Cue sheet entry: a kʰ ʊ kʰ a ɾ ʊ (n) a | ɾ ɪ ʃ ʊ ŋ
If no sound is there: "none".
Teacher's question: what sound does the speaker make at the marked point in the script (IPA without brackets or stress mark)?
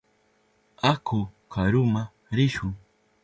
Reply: m